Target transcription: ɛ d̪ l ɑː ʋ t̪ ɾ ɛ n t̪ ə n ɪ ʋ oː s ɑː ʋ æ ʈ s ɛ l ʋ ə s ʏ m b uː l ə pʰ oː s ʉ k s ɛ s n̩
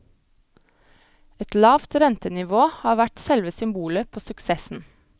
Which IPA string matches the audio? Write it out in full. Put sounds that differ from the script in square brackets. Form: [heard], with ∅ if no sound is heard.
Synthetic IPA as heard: ɛ [t̪] l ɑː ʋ t̪ ɾ ɛ n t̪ ə n ɪ ʋ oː [h] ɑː ʋ æ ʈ s ɛ l ʋ ə s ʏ m b uː l ə pʰ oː s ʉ k s ɛ s n̩